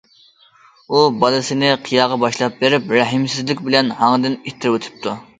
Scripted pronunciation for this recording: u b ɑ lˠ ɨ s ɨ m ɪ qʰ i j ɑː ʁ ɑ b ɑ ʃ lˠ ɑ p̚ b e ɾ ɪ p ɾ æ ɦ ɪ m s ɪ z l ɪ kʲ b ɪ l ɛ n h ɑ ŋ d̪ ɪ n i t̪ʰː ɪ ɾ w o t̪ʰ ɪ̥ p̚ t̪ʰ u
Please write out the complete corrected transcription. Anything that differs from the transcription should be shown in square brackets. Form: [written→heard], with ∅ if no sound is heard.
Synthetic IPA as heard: u b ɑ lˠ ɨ s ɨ [m→n] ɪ qʰ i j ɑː ʁ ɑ b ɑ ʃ lˠ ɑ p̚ b e ɾ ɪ p ɾ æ ɦ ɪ m s ɪ z l ɪ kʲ b ɪ l ɛ n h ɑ ŋ d̪ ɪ n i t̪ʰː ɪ ɾ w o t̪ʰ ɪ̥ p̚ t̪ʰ u